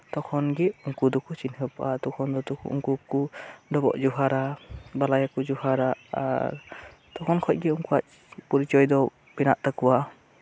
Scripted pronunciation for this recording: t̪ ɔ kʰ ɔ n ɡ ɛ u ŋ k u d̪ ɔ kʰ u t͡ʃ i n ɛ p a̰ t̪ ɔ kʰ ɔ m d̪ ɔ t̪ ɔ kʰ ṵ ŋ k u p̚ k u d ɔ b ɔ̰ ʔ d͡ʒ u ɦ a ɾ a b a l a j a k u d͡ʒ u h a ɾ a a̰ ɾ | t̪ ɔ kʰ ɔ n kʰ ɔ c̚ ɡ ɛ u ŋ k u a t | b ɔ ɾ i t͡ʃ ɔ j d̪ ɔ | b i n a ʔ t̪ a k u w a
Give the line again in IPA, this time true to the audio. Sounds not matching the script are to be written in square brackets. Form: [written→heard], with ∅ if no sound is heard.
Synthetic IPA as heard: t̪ ɔ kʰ ɔ n ɡ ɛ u ŋ k u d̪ ɔ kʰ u t͡ʃ i n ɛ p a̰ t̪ ɔ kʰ ɔ [m→n] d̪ ɔ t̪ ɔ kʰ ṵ ŋ k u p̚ k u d ɔ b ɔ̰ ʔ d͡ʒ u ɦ a ɾ a b a l a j a k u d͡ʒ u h a ɾ a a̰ ɾ | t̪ ɔ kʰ ɔ n kʰ ɔ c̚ ɡ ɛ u ŋ k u a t | [b→p] ɔ ɾ i t͡ʃ ɔ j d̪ ɔ | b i n a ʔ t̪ a k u w a

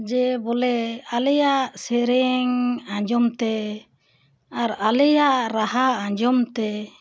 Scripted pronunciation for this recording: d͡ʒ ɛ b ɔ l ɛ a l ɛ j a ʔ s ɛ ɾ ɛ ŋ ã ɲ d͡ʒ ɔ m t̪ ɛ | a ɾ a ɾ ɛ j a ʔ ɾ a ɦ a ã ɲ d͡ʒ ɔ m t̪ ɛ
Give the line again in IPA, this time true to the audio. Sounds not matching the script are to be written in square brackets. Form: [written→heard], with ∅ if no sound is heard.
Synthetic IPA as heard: d͡ʒ ɛ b ɔ l ɛ a l ɛ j a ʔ s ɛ ɾ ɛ ŋ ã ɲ d͡ʒ ɔ m t̪ ɛ | a ɾ a [ɾ→l] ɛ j a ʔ ɾ a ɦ a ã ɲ d͡ʒ ɔ m t̪ ɛ

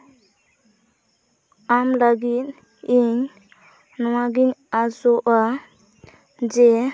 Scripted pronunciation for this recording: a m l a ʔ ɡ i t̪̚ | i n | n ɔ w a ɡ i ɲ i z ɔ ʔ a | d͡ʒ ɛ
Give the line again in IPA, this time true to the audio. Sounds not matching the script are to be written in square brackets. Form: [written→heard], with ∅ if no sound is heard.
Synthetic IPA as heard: a m l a [ʔ→∅] ɡ i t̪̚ | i [n→ɲ] | n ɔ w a ɡ i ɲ [i→a] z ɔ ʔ a | d͡ʒ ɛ

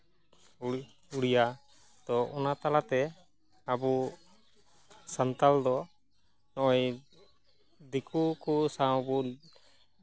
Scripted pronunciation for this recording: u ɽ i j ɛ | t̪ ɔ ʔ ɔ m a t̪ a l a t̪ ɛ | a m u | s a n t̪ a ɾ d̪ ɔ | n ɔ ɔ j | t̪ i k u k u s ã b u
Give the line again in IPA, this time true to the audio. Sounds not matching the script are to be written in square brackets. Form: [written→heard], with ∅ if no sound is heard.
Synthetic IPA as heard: u ɽ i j [ɛ→a] | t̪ ɔ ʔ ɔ [m→n] a t̪ a l a t̪ ɛ | a [m→b] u | s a n t̪ a [ɾ→l] d̪ ɔ | n ɔ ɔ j | [t̪→d̪] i k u k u s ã b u

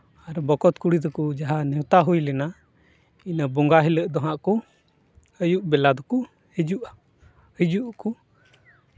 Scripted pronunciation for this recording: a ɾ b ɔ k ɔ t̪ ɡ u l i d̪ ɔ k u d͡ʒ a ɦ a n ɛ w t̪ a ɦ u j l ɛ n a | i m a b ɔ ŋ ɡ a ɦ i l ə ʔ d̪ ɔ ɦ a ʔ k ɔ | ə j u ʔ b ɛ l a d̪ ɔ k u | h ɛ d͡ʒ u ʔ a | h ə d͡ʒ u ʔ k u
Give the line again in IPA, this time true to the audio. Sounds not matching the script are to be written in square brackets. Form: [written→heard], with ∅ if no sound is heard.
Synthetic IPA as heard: a ɾ b ɔ k ɔ t̪ [ɡ→k] u [l→ɽ] i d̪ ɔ k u d͡ʒ a ɦ a n ɛ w t̪ a ɦ u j l ɛ n a | i [m→n] a b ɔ ŋ ɡ a ɦ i l ə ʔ d̪ ɔ ɦ a ʔ k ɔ | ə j u ʔ b ɛ l a d̪ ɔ k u | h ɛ d͡ʒ u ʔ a | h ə d͡ʒ u ʔ k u

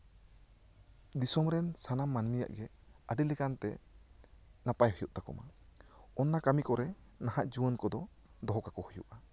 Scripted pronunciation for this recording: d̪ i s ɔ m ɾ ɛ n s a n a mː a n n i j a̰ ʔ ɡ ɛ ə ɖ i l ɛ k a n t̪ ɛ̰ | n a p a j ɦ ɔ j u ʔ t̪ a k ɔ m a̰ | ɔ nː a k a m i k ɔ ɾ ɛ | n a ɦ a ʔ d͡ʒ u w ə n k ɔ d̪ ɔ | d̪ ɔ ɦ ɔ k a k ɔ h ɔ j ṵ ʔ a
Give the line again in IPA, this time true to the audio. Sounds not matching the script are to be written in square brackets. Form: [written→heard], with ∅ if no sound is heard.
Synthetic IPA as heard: d̪ i s ɔ m ɾ ɛ n s a n a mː a n [n→m] i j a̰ ʔ ɡ ɛ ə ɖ i l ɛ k a n t̪ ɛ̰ | n a p a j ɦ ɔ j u ʔ t̪ a k ɔ m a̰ | ɔ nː a k a m i k ɔ ɾ ɛ | n a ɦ a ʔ d͡ʒ u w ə n k ɔ d̪ ɔ | d̪ ɔ ɦ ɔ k a k ɔ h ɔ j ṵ ʔ a

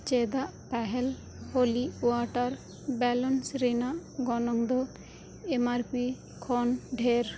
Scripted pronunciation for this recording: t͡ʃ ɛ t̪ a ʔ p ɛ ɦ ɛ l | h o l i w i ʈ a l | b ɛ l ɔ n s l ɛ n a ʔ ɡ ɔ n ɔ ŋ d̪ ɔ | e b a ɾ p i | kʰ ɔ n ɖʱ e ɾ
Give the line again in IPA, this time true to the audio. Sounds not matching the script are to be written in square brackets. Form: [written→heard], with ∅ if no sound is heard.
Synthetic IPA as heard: t͡ʃ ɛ [t̪→d̪] a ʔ p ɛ ɦ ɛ l | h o l i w [i→a] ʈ a [l→ɾ] | b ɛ l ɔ n s [l→ɾ] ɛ n a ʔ ɡ ɔ n ɔ ŋ d̪ ɔ | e [b→m] a ɾ p i | kʰ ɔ n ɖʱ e ɾ

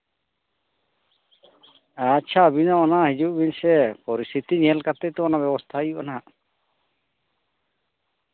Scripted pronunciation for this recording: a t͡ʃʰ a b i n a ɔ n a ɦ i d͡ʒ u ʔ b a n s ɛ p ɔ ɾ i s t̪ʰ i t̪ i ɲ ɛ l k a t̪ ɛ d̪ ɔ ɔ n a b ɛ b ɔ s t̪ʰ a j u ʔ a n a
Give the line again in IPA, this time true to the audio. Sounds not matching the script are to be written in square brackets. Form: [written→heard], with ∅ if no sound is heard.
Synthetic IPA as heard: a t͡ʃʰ a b i n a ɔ n a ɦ i d͡ʒ u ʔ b [a→i] n s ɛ p ɔ ɾ i s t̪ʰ i t̪ i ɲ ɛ l k a t̪ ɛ [d̪→t̪] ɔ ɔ n a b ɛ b ɔ s t̪ʰ a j u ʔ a n a

